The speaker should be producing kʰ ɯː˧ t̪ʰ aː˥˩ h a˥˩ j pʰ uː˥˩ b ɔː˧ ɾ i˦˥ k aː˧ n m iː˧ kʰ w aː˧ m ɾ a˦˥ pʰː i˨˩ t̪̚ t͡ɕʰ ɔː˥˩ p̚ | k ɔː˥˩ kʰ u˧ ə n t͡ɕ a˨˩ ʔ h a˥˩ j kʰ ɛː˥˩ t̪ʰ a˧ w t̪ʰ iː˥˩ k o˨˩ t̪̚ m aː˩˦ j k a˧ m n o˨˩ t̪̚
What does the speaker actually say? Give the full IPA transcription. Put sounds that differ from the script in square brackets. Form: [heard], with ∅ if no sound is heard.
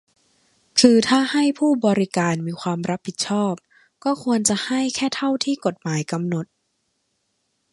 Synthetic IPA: kʰ ɯː˧ t̪ʰ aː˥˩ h a˥˩ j pʰ uː˥˩ b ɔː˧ ɾ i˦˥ k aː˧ n m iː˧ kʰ w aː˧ m ɾ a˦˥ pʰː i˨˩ t̪̚ t͡ɕʰ ɔː˥˩ p̚ | k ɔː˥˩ kʰ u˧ ə n t͡ɕ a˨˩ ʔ h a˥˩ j kʰ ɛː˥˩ t̪ʰ [a˥˩] w t̪ʰ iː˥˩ k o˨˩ t̪̚ m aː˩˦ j k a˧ m n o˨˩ t̪̚

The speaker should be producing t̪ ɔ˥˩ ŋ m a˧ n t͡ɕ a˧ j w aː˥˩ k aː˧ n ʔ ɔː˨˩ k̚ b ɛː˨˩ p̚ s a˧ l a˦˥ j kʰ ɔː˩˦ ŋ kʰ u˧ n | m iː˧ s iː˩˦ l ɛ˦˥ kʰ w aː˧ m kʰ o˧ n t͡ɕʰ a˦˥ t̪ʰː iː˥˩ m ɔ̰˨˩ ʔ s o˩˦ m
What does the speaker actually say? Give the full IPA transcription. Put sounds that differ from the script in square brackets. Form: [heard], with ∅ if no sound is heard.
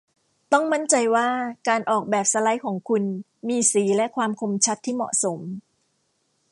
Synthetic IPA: t̪ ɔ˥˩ ŋ m [a˥˩] n t͡ɕ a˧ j w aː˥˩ k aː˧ n ʔ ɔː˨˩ k̚ b ɛː˨˩ p̚ s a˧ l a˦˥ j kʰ ɔː˩˦ ŋ kʰ u˧ n | m iː˧ s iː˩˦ l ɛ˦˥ kʰ w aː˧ m kʰ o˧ [m] t͡ɕʰ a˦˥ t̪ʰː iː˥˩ m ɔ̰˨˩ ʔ s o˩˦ m

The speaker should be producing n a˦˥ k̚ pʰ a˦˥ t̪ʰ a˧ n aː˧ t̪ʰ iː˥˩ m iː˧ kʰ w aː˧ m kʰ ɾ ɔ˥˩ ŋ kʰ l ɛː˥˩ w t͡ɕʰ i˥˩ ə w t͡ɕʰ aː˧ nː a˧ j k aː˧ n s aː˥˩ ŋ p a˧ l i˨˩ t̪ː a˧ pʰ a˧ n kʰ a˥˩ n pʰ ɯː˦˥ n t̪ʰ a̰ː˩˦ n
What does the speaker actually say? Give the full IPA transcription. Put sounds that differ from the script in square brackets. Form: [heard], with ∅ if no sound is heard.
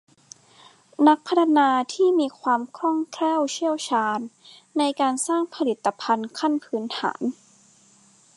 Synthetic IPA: n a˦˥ k̚ pʰ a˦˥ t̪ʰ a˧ n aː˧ t̪ʰ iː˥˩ m iː˧ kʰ w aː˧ m kʰ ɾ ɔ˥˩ ŋ kʰ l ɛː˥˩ w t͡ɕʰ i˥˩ ə w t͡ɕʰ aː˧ nː a˧ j k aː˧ n s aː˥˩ ŋ [pʰ] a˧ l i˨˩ t̪ː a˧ pʰ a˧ n kʰ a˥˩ n pʰ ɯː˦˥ n t̪ʰ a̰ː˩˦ n

